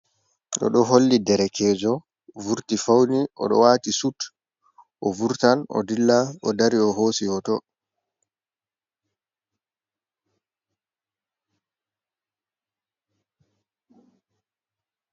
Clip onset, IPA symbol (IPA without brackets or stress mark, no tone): ɗ